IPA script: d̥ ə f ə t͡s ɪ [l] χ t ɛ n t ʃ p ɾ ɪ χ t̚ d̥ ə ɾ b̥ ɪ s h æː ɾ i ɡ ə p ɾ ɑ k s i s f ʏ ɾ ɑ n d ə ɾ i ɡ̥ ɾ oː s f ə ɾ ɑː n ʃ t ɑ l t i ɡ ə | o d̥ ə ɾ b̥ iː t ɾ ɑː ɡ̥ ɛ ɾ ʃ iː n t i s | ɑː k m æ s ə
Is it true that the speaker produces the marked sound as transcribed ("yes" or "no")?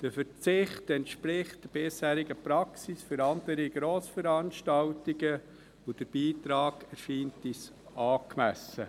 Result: no